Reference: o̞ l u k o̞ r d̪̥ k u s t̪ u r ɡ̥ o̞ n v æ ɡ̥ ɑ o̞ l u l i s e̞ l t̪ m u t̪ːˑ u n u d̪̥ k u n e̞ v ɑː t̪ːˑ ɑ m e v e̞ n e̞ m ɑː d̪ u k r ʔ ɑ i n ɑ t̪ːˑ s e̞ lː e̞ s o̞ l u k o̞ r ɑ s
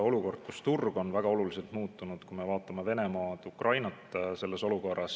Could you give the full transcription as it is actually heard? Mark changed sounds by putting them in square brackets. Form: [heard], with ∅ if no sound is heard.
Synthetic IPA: o̞ l u k o̞ r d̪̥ k u s t̪ u r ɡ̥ o̞ n v æ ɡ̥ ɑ o̞ l u l i s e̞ l t̪ m [uː] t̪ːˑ u n u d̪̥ k u [m] e̞ v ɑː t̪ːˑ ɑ m e v e̞ n e̞ m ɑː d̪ u k r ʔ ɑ [j] n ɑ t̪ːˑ s e̞ lː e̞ s o̞ l u k o̞ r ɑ s

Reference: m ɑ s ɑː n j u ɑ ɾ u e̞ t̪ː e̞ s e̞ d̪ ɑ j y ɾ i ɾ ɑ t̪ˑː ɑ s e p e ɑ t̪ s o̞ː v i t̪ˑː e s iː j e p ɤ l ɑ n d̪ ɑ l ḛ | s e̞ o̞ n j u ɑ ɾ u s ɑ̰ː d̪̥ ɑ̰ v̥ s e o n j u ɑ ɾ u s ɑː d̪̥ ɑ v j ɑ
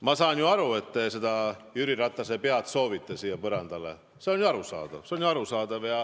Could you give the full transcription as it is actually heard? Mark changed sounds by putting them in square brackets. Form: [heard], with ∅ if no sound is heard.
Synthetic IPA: m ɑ s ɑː n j u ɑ ɾ u e̞ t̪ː e̞ s e̞ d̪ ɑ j y ɾ i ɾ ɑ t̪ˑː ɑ s e p e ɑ t̪ s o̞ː v i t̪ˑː e s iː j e p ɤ [ɾ] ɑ n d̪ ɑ l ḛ | s e̞ o̞ n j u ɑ ɾ u s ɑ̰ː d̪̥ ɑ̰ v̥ s e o n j u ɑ ɾ u s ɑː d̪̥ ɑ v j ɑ

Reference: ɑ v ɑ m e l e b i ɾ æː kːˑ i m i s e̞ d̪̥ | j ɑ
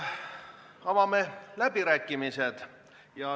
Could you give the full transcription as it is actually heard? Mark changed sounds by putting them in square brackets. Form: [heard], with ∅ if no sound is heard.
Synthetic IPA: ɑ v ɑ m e l [æ] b i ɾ æː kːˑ i m i s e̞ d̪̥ | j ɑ

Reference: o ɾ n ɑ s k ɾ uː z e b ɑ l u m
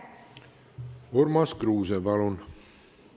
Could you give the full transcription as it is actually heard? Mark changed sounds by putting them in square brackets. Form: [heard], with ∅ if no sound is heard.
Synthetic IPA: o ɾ [m] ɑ s k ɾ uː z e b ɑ l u [n]

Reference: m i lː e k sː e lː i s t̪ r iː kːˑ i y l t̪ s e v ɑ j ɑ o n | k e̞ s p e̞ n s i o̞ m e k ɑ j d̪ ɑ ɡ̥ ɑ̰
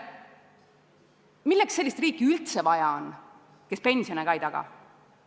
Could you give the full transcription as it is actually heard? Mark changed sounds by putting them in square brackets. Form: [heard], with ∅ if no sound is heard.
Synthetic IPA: m i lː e k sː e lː i s t̪ r iː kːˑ i y l t̪ s e v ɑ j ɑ o n | k e̞ s p e̞ n s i o̞ [n] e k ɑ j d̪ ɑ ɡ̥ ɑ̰

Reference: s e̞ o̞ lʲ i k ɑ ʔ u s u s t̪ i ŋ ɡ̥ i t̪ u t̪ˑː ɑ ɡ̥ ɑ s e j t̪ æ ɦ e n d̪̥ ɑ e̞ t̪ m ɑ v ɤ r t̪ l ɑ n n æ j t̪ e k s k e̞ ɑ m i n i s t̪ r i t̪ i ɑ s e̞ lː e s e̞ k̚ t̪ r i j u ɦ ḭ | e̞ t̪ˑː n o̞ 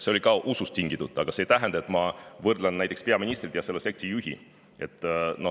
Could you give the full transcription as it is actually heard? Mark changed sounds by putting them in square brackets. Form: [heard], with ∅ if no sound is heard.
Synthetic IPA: s e̞ o̞ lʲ i k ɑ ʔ u s u s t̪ i ŋ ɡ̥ i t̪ u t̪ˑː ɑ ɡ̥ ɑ s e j t̪ æ ɦ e n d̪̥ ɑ e̞ t̪ m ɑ v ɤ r [d̪] l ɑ n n æ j t̪ e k s [p] e̞ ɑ m i n i s t̪ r i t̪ [j] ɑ s e̞ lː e s e̞ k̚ t̪ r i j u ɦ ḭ | e̞ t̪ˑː n o̞

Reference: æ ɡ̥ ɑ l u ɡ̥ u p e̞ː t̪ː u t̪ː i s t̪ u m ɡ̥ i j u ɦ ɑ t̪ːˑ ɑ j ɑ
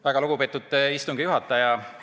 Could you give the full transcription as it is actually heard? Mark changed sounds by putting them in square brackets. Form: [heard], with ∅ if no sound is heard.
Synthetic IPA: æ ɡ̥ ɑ l u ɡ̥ u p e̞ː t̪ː u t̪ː i s t̪ u [ŋ] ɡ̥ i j u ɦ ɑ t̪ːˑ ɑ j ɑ

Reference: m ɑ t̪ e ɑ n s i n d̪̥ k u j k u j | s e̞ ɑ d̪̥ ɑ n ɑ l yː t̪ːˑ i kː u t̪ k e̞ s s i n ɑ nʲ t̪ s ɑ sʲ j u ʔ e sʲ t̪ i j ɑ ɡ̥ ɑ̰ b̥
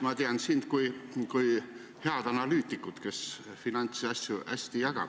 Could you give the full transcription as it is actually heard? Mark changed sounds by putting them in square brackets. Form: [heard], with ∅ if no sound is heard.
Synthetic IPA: m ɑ t̪ e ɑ n s i n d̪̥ k u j k u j | [h] e̞ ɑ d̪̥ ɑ n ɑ l yː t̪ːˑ i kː u t̪ k e̞ s [f] i n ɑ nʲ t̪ s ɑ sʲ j u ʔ [æ] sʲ t̪ i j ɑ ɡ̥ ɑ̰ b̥

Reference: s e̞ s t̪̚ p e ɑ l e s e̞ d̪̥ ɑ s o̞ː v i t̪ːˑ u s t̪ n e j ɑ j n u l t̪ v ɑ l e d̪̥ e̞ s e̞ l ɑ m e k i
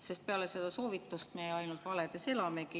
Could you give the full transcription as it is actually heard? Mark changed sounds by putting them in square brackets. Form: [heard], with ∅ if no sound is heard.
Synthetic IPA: s e̞ s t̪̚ p e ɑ l e s e̞ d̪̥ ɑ s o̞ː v i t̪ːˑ u s t̪ [m] e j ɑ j n u l t̪ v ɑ l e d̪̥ e̞ s e̞ l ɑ m e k i

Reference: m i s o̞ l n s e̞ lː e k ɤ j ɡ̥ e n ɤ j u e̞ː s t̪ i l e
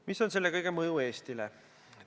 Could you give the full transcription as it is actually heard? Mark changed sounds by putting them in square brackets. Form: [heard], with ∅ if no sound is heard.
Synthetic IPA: m i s o̞ [∅] n s e̞ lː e k ɤ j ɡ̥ e [m] ɤ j u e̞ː s t̪ i l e

